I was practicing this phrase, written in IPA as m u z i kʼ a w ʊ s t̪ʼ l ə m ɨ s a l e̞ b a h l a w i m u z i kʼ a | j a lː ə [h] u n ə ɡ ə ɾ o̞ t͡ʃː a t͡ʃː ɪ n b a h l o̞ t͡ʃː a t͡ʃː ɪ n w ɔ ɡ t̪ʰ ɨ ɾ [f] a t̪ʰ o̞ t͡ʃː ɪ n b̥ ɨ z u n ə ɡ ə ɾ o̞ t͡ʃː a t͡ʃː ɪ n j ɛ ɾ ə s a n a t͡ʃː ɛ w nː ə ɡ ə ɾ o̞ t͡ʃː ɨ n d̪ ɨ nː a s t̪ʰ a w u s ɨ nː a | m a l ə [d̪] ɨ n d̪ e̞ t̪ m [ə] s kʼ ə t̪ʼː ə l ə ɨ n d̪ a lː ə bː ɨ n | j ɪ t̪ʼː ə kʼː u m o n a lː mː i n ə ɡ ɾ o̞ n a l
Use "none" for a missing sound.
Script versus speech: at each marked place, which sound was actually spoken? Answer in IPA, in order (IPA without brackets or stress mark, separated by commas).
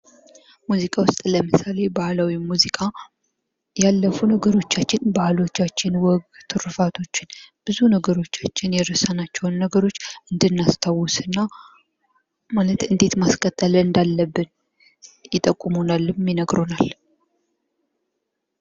f, f, t̪, a